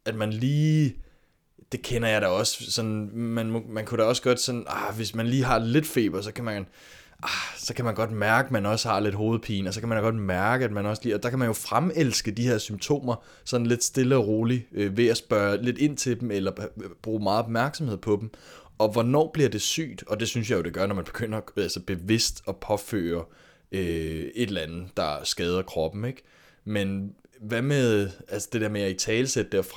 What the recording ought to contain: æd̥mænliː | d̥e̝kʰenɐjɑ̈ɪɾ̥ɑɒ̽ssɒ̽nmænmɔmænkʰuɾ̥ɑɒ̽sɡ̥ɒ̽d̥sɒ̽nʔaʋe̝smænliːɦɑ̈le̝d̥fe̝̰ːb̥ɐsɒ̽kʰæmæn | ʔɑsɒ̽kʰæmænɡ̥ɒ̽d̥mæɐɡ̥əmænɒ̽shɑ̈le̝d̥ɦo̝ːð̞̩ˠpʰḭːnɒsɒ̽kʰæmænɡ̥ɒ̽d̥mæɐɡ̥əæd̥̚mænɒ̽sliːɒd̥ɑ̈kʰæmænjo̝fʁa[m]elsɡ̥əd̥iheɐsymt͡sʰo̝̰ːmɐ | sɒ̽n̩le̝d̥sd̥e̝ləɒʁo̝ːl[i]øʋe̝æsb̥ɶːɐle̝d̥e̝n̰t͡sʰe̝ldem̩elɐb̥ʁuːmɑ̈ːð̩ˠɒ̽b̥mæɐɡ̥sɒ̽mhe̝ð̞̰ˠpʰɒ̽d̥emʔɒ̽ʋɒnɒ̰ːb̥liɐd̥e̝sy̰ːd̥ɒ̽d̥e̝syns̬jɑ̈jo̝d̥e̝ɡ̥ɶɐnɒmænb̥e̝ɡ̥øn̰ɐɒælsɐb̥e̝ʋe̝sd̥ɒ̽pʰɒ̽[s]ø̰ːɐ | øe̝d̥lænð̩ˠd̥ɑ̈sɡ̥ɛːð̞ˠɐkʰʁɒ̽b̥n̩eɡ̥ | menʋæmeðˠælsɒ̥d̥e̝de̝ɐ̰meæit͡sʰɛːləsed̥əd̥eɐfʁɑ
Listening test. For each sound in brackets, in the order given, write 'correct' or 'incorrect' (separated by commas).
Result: correct, correct, incorrect